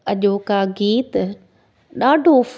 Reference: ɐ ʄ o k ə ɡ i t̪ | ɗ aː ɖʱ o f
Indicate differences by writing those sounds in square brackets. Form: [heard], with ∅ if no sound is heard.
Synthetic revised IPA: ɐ ʄ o k [a] ɡ [iː] t̪ | ɗ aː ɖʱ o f